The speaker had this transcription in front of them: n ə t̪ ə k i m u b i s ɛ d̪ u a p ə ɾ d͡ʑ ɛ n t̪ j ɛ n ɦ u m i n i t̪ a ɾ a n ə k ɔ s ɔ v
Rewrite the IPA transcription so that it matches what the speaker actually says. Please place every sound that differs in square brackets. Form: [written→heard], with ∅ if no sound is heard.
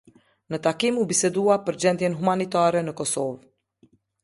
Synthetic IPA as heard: n ə t̪ [ə→a] k i m u b i s ɛ d̪ u a p ə ɾ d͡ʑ ɛ n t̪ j ɛ n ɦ u m [i→a] n i t̪ a ɾ [a→ɛ] n ə k ɔ s ɔ v